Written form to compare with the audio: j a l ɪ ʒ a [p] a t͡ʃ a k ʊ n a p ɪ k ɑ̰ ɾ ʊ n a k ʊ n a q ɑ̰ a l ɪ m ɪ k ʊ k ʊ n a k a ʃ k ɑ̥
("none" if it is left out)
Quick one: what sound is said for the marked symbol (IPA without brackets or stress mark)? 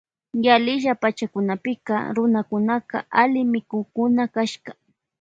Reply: p